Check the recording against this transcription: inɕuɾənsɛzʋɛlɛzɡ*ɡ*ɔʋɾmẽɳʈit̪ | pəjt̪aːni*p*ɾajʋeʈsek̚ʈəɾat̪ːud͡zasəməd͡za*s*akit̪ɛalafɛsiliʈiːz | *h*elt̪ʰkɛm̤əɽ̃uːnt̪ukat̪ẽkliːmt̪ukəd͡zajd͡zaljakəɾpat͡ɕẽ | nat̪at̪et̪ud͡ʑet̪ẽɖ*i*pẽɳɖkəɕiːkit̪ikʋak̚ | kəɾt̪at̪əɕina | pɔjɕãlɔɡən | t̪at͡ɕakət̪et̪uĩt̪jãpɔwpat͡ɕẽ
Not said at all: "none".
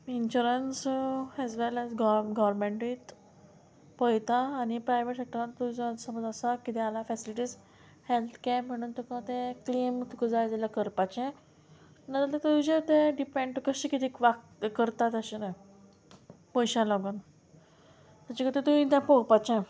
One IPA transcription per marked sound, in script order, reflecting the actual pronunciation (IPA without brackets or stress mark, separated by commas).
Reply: ɡ, p, s, h, i